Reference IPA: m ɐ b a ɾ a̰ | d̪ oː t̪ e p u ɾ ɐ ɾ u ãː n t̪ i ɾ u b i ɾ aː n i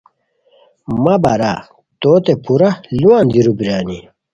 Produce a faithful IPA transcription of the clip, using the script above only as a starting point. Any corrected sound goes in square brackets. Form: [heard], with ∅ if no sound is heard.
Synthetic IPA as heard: m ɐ b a ɾ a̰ | [t̪] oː t̪ e p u ɾ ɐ [l] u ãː n [d̪] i ɾ u b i ɾ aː n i